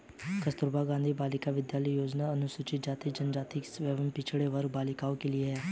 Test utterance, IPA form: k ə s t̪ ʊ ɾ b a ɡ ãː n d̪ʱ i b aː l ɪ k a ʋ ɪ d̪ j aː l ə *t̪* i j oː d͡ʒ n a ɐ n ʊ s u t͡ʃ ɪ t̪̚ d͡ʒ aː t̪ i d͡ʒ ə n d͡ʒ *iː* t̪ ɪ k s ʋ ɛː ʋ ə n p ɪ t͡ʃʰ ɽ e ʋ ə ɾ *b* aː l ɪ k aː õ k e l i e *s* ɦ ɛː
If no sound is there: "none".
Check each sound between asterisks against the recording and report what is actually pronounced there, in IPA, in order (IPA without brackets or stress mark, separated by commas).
none, aː, b, none